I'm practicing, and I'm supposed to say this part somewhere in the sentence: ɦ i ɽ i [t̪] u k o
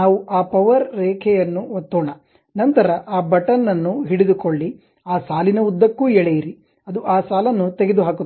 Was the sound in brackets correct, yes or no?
no